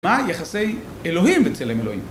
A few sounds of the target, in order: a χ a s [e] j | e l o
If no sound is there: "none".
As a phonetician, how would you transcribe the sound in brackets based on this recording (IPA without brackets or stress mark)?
e